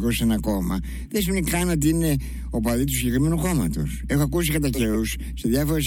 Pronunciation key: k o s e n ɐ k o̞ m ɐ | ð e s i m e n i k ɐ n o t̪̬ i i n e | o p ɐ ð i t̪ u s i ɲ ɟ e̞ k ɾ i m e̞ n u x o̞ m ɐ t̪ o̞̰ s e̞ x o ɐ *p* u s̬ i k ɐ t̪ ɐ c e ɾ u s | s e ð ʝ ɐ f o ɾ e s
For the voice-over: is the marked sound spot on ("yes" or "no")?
no